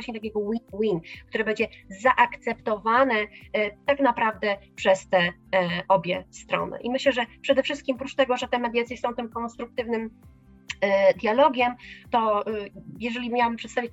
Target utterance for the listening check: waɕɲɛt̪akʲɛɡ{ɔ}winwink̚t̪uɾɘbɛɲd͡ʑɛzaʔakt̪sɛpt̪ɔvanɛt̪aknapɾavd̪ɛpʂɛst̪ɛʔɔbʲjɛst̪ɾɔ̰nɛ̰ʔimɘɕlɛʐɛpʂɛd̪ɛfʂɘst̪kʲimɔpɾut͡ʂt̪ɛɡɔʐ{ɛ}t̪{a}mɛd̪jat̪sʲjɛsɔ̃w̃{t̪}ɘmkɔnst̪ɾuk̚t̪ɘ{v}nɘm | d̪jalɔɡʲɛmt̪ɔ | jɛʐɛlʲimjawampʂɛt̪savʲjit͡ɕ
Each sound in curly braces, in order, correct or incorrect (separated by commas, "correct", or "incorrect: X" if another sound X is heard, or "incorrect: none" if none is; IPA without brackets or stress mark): correct, correct, incorrect: ɛ, correct, correct